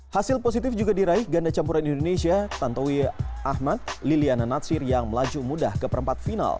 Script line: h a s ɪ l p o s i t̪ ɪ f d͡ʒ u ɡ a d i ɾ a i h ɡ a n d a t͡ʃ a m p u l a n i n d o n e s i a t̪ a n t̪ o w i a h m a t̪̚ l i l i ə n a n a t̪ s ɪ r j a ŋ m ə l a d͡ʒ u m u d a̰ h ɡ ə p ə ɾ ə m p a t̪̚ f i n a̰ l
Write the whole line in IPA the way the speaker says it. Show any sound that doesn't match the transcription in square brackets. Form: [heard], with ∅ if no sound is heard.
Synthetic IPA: h a s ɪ l p o s i t̪ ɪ f d͡ʒ u ɡ a d i ɾ a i h ɡ a n d a t͡ʃ a m p u [ɾ] a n i n d o n e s i a t̪ a n t̪ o w i a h m a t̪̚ l i l i [a] n a n a t̪ s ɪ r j a ŋ m ə l a d͡ʒ u m u d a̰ h [k] ə p ə ɾ ə m p a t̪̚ f i n a̰ l